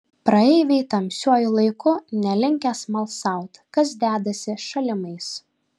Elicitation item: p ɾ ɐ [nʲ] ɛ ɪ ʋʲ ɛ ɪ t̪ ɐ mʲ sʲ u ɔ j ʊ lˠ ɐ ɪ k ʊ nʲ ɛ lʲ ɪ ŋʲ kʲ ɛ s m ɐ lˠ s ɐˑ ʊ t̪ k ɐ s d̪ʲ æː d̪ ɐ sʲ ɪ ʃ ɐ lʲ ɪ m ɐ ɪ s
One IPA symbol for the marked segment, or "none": none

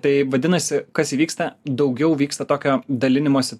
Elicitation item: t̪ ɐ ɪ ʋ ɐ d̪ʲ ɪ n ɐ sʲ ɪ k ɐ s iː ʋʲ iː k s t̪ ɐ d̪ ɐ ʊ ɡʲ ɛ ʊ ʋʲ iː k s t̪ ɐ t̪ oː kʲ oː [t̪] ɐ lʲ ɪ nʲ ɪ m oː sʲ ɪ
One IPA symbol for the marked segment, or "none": d̪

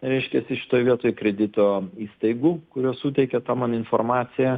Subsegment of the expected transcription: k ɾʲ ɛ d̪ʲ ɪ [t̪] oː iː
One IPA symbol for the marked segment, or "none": t̪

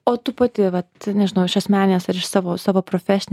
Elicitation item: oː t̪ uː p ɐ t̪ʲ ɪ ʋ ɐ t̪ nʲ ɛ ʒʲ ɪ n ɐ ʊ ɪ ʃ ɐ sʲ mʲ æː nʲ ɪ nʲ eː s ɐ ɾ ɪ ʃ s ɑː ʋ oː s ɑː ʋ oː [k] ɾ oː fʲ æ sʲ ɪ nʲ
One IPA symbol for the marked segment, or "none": p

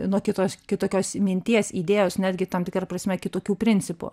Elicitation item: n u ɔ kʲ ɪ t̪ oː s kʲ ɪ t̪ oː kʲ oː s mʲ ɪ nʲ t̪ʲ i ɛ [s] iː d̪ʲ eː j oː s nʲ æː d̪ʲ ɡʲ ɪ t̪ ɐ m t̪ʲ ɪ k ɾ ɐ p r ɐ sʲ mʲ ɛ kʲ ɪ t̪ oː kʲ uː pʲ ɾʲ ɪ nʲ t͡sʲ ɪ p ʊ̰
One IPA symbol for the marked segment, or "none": s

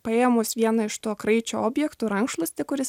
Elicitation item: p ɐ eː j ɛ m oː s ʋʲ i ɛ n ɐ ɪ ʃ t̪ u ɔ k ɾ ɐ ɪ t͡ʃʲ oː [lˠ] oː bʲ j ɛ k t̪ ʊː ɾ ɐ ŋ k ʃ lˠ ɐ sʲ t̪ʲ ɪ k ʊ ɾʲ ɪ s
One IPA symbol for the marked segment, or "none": none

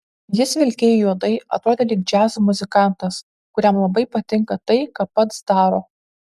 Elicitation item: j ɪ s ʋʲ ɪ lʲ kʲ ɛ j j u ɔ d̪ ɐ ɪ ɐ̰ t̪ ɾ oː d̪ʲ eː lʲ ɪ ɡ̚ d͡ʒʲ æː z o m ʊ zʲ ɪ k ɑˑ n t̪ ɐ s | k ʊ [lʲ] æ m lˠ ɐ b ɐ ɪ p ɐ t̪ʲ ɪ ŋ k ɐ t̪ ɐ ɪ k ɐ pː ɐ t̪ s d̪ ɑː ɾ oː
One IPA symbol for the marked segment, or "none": ɾʲ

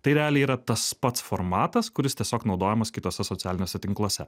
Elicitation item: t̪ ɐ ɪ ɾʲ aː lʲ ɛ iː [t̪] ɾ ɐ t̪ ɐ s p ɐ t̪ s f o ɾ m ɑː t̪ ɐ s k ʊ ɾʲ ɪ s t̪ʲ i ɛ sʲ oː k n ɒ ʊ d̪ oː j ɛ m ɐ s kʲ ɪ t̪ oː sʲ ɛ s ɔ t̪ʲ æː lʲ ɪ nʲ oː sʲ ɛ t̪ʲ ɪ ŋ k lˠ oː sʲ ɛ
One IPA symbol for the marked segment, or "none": none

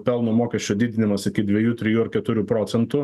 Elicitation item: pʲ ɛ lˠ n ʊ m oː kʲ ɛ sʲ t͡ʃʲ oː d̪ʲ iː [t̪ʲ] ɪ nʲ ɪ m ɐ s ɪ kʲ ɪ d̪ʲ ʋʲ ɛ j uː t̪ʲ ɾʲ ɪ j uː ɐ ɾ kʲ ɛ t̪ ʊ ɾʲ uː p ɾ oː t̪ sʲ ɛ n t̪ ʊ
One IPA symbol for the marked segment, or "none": d̪ʲ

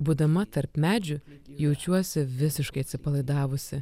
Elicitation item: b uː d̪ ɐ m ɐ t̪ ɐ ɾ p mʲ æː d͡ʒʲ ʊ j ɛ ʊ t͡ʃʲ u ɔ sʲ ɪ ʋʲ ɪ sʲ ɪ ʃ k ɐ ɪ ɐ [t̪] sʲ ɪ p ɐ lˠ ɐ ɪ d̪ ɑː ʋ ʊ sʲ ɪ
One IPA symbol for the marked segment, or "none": t̪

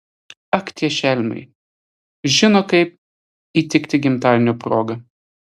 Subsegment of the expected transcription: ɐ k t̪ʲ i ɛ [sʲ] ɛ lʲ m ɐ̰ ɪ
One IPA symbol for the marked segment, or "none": ʃʲ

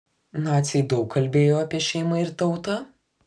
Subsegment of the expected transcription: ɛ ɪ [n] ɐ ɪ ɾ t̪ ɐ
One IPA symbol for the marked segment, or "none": m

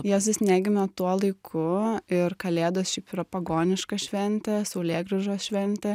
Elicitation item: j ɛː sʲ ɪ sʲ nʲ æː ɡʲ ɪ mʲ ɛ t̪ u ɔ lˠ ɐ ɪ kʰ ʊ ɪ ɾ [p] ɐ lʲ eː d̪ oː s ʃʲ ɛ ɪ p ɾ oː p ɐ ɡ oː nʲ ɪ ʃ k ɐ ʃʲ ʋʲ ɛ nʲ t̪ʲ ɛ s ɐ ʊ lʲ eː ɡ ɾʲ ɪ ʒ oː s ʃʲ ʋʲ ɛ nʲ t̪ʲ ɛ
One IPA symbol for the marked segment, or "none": k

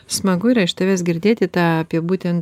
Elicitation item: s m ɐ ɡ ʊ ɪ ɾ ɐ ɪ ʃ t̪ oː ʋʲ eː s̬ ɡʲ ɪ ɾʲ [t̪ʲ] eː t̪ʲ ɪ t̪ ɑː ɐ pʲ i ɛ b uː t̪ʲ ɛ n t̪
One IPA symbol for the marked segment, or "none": d̪ʲ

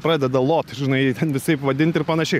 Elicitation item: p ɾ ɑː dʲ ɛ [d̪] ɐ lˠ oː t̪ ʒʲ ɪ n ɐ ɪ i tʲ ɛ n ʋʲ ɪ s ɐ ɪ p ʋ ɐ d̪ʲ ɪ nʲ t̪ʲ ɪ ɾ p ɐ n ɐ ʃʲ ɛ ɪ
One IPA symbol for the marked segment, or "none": d̪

